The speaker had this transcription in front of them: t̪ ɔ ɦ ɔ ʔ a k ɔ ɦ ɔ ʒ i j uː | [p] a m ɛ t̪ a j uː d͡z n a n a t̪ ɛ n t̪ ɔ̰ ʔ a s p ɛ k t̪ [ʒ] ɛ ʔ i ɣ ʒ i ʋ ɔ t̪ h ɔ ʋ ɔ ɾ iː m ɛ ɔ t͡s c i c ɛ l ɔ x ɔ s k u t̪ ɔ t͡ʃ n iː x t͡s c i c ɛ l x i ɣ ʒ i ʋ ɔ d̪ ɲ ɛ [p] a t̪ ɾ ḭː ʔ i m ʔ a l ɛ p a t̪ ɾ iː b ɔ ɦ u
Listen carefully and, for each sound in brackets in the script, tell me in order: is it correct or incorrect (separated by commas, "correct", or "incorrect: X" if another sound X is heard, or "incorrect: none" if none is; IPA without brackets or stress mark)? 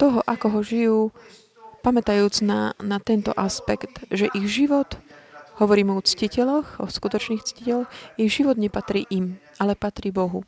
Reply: correct, correct, correct